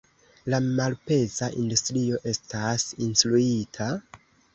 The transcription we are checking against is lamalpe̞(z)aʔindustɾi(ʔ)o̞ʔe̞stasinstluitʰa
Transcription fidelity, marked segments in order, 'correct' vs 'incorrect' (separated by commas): correct, incorrect